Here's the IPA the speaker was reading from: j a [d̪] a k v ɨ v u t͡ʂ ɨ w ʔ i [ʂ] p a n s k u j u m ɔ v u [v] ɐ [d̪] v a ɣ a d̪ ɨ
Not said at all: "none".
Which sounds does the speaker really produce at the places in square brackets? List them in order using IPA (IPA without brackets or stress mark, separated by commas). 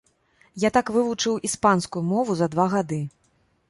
t̪, s, z, d̪